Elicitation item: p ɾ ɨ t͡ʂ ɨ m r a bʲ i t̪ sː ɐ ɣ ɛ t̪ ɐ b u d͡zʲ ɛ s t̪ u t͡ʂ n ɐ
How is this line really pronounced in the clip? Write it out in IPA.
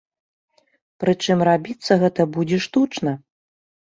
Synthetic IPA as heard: p ɾ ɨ t͡ʂ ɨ m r a bʲ i t̪ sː ɐ ɣ ɛ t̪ ɐ b u d͡zʲ ɛ ʂ t̪ u t͡ʂ n ɐ